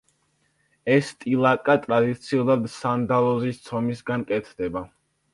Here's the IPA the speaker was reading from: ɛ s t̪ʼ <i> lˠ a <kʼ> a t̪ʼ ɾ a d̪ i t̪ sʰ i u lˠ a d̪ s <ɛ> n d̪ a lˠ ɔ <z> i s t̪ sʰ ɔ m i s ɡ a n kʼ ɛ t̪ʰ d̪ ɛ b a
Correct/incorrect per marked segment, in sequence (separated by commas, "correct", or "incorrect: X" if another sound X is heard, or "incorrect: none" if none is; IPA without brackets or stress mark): correct, correct, incorrect: a, correct